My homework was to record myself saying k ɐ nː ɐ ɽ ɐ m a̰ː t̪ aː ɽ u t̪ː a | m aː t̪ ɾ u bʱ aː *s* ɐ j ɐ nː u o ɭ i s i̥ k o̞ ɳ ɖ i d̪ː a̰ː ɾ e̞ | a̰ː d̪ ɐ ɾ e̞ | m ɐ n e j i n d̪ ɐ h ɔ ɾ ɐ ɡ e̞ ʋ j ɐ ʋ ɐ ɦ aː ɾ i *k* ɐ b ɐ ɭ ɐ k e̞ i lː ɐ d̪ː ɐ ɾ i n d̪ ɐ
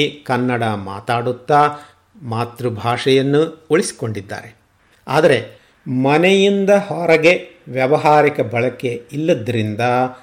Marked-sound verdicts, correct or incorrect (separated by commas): incorrect, correct